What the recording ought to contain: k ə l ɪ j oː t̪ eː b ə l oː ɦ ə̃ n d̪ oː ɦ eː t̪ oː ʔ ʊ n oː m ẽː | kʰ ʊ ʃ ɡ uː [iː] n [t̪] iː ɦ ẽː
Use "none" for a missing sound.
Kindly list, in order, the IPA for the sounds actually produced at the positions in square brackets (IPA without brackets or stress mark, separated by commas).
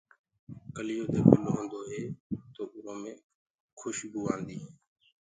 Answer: aː, d̪